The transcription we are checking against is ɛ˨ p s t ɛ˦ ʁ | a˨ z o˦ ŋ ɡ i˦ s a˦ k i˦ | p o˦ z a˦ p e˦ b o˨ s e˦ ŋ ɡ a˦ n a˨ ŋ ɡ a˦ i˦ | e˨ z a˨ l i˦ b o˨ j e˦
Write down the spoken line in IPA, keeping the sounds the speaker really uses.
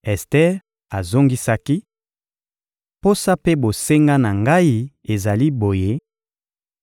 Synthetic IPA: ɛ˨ s t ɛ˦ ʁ | a˨ z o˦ ŋ ɡ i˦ s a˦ k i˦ | p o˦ s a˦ p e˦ b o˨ s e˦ ŋ ɡ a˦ n a˨ ŋ ɡ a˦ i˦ | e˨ z a˨ l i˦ b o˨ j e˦

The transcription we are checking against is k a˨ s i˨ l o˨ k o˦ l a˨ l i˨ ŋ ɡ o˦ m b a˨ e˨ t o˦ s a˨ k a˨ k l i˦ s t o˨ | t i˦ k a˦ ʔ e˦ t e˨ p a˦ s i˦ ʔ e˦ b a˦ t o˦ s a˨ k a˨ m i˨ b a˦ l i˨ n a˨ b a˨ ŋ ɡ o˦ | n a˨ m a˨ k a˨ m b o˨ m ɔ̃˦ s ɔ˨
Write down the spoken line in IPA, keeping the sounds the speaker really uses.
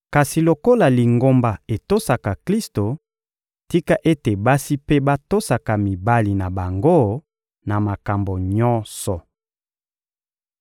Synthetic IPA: k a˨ s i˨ l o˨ k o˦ l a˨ l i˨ ŋ ɡ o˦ m b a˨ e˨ t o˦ s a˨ k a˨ k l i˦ s t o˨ | t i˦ k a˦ ʔ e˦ t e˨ b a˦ s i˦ p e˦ b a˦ t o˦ s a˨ k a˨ m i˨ b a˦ l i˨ n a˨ b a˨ ŋ ɡ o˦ | n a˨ m a˨ k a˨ m b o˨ ɲ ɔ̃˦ s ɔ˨

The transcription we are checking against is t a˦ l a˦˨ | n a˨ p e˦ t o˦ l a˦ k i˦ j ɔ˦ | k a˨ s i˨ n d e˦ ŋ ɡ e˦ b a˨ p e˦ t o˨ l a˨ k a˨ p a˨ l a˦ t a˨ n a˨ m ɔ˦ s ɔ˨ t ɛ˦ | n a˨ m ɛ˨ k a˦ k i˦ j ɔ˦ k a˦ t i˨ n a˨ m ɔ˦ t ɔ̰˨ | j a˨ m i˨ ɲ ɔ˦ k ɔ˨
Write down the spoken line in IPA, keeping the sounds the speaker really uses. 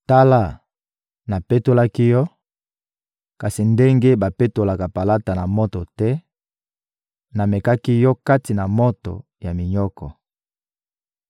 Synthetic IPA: t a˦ l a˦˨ | n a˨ p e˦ t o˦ l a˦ k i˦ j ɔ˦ | k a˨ s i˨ n d e˦ ŋ ɡ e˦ b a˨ p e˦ t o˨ l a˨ k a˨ p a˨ l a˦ t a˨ n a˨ m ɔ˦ t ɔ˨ t ɛ˦ | n a˨ m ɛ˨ k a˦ k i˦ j ɔ˦ k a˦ t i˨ n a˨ m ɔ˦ t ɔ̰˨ | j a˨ m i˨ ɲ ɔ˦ k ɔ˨

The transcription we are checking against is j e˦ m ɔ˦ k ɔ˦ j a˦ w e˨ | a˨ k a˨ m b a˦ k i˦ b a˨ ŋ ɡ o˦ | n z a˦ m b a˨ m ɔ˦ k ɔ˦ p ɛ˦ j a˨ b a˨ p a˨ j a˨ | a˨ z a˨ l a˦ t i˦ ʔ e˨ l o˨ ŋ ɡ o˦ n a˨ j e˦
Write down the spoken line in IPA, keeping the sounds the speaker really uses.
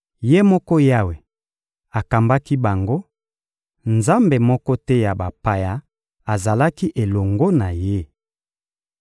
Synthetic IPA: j e˦ m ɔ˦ k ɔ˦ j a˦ w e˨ | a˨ k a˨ m b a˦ k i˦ b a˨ ŋ ɡ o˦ | n z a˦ m b e˨ m ɔ˦ k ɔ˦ t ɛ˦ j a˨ b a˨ p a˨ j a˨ | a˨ z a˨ l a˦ k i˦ ʔ e˨ l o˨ ŋ ɡ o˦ n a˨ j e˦

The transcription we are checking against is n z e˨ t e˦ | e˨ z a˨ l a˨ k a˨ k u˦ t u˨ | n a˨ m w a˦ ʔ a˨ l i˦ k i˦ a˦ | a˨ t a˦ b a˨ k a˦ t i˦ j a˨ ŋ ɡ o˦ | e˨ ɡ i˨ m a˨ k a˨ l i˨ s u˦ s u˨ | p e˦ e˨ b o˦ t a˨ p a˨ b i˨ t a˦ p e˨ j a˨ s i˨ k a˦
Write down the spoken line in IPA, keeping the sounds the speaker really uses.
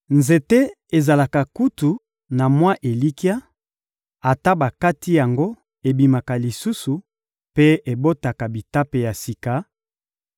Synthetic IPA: n z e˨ t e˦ | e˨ z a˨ l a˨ k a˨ k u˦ t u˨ | n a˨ m w a˦ ʔ e˨ l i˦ k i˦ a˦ | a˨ t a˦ b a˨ k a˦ t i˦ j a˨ ŋ ɡ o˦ | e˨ b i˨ m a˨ k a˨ l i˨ s u˦ s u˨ | p e˦ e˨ b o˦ t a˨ k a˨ b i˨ t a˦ p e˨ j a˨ s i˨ k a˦

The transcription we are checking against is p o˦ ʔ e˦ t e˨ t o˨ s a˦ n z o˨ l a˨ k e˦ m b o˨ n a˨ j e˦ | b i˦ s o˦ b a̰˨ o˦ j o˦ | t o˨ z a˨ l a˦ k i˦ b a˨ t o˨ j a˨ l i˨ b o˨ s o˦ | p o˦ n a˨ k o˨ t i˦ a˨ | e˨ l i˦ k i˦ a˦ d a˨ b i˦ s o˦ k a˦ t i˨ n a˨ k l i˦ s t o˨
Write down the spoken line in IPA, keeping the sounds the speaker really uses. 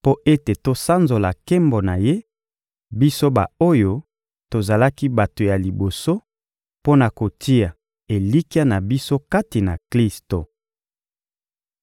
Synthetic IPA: p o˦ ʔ e˦ t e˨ t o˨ s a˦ n z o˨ l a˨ k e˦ m b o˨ n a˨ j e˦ | b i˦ s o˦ b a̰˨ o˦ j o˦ | t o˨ z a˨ l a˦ k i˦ b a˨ t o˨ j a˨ l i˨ b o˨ s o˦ | p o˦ n a˨ k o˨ t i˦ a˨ | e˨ l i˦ k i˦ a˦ n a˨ b i˦ s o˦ k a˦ t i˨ n a˨ k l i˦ s t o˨

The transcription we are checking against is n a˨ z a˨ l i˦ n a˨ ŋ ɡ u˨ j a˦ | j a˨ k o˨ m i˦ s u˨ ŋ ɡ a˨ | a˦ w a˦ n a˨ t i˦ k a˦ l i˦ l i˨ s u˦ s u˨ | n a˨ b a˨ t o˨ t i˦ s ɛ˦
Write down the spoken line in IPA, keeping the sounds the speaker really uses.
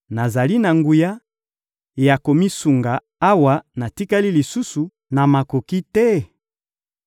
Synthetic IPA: n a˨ z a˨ l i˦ n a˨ ŋ ɡ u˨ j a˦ | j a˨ k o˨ m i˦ s u˨ ŋ ɡ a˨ | a˦ w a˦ n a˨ t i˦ k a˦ l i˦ l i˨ s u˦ s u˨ | n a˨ m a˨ k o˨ k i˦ t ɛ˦

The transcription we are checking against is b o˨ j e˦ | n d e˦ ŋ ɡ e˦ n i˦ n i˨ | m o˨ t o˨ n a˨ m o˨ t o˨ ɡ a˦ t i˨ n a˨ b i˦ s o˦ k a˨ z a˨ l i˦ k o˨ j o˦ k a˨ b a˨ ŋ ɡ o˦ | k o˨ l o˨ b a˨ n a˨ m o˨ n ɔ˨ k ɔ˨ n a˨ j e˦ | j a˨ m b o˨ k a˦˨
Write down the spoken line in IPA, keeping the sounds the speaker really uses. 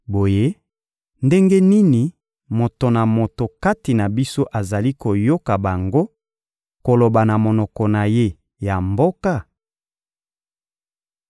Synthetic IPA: b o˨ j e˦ | n d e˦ ŋ ɡ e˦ n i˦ n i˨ | m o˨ t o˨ n a˨ m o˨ t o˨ k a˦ t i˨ n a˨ b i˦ s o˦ ʔ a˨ z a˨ l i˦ k o˨ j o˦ k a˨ b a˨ ŋ ɡ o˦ | k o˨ l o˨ b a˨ n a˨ m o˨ n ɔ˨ k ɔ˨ n a˨ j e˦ | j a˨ m b o˦ k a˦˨

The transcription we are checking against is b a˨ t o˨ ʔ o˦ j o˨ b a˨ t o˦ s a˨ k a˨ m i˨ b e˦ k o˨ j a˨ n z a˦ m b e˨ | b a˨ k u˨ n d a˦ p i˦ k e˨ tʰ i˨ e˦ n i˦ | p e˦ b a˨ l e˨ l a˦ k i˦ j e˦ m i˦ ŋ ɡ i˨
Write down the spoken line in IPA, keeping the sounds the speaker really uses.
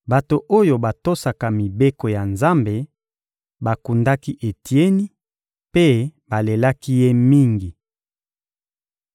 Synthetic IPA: b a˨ t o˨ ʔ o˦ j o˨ b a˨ t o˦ s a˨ k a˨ m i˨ b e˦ k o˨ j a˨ n z a˦ m b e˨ | b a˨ k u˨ n d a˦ k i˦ ʔ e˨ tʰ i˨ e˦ n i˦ | p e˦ b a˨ l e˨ l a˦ k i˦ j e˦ m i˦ ŋ ɡ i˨

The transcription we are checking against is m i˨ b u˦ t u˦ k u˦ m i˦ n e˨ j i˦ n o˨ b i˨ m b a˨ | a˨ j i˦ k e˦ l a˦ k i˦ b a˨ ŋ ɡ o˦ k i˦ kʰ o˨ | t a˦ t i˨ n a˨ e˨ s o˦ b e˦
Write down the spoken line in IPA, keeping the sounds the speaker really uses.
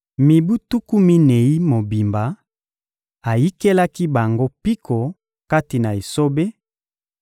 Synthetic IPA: m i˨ b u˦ t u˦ k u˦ m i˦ n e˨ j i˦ m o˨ b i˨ m b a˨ | a˨ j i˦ k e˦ l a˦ k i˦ b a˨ ŋ ɡ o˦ p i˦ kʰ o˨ | k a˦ t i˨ n a˨ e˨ s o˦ b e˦

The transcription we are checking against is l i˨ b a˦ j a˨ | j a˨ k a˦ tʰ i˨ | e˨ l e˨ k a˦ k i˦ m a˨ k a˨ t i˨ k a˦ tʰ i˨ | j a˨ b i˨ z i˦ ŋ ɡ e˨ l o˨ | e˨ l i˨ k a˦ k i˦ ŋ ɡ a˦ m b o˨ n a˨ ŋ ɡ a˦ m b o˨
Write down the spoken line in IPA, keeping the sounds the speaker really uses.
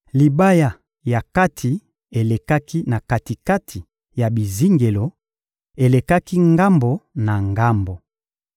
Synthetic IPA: l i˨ b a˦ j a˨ | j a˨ k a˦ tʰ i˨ | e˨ l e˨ k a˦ k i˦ n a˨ k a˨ t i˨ k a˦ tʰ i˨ | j a˨ b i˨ z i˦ ŋ ɡ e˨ l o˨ | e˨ l e˨ k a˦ k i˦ ŋ ɡ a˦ m b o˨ n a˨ ŋ ɡ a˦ m b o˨

